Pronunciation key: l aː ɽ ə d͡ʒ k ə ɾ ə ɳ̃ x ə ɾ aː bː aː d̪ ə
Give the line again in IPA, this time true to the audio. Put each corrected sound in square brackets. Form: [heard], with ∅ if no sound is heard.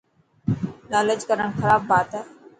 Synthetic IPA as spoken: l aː [l] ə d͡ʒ k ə ɾ ə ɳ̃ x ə ɾ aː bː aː [t̪] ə